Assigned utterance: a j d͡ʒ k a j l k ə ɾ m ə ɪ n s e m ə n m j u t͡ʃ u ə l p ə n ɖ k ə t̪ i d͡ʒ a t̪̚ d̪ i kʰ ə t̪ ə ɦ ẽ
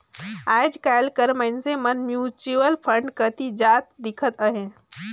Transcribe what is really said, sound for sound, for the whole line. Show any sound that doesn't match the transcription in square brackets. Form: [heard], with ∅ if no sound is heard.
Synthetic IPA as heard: a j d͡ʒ k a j l k ə ɾ m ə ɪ n s e m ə n m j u t͡ʃ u ə l [pʰ] ə [ɳ] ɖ k ə t̪ i d͡ʒ a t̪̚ d̪ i kʰ ə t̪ ə ɦ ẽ